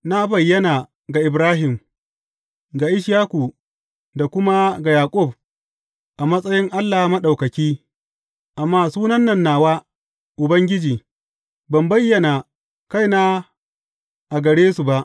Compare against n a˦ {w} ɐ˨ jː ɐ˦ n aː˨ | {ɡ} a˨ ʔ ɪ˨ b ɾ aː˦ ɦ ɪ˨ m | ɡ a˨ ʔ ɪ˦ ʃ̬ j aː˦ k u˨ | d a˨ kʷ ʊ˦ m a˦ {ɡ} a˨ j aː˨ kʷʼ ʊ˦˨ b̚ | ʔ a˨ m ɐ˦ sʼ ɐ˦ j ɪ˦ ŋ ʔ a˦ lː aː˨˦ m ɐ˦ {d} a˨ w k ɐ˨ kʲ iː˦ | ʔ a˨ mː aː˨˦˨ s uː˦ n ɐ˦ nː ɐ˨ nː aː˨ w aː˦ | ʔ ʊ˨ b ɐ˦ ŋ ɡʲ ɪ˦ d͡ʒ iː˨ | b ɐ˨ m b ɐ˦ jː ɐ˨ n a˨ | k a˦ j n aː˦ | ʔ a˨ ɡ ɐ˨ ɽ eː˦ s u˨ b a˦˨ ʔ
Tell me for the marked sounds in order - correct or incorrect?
incorrect: b, correct, correct, incorrect: ɗ

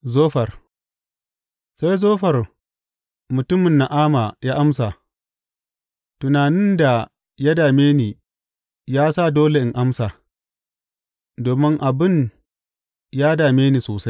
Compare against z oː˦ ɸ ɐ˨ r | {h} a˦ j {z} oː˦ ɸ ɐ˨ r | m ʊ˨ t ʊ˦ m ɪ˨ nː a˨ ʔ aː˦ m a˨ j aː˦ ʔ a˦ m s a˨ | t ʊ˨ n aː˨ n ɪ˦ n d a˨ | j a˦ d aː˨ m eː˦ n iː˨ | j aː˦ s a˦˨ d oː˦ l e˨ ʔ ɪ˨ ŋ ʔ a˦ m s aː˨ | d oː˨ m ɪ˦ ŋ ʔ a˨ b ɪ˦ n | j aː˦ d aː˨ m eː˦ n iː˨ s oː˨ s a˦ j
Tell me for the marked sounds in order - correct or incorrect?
incorrect: s, correct

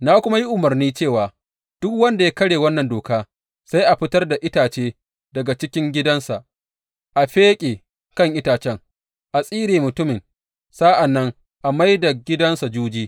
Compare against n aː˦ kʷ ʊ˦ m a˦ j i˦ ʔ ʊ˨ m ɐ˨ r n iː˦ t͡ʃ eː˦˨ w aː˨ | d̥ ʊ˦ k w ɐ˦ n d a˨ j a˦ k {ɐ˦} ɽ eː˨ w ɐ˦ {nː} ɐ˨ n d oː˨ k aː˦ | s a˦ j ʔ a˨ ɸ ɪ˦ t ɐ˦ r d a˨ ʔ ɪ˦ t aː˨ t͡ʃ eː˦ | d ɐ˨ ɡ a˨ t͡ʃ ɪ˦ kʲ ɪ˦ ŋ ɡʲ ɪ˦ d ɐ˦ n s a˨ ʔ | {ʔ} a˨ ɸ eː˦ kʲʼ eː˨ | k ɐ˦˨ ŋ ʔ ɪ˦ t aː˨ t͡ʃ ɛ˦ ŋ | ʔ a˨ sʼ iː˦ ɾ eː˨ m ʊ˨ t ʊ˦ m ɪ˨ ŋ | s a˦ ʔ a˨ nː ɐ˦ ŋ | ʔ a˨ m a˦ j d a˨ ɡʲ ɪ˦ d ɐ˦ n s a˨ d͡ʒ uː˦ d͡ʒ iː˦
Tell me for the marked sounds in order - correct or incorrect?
correct, correct, correct

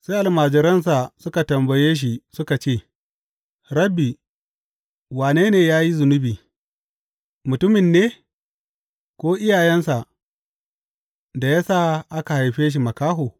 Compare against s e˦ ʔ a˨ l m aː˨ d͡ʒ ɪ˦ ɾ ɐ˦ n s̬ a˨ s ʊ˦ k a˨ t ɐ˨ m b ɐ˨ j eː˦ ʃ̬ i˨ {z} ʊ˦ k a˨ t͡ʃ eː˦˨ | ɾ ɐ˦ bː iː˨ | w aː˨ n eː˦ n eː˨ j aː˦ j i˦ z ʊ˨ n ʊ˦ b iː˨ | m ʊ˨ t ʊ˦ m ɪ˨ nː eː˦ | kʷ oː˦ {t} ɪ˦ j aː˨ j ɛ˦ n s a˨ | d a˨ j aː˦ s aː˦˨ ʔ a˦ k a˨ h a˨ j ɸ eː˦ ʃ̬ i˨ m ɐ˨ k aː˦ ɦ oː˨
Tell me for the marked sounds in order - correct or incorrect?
incorrect: s, incorrect: ʔ

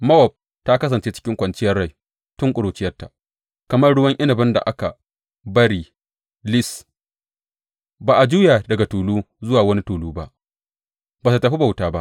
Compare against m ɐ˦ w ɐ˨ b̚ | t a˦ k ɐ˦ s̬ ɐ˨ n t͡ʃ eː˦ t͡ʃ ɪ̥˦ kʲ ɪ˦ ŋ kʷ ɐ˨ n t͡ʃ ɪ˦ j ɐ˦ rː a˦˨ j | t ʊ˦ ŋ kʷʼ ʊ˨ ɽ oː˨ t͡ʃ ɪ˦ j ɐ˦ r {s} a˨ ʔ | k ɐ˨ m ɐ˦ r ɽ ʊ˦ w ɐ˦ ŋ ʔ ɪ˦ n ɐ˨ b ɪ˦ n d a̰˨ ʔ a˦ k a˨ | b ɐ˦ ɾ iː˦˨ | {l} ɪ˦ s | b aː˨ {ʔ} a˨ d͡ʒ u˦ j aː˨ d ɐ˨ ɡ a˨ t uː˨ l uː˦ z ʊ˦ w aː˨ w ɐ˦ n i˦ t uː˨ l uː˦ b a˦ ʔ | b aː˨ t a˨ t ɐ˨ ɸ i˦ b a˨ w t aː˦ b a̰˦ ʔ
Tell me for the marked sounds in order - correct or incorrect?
incorrect: t, correct, correct

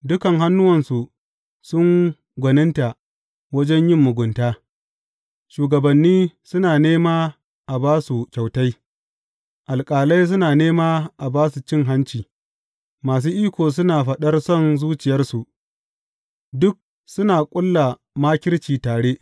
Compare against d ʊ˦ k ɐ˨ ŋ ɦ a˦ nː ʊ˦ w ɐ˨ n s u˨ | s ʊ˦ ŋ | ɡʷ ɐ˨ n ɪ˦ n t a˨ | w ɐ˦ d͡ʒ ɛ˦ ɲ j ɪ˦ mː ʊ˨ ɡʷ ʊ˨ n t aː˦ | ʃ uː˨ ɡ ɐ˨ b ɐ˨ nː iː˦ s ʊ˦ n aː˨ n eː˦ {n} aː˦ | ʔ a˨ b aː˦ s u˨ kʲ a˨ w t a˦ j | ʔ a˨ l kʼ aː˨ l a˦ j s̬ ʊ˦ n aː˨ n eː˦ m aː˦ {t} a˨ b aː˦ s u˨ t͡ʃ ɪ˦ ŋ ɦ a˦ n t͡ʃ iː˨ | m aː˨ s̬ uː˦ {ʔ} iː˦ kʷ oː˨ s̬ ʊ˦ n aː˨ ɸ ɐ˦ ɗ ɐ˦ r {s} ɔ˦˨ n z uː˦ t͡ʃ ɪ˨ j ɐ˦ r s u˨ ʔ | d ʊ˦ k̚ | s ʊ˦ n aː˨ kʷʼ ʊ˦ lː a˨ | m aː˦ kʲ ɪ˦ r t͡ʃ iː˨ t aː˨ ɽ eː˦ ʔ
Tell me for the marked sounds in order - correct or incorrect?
incorrect: m, incorrect: ʔ, correct, correct

